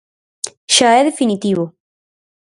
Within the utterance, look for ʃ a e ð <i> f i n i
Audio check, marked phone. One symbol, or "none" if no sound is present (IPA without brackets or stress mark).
e